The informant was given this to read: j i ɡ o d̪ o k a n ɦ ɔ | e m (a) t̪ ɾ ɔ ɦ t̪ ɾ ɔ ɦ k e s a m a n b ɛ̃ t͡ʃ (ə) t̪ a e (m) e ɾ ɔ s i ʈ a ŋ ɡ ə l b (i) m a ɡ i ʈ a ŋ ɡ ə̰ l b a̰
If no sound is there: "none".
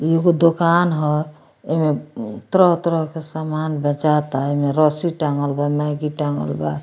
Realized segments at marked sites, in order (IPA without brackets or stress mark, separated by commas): e, a, m, a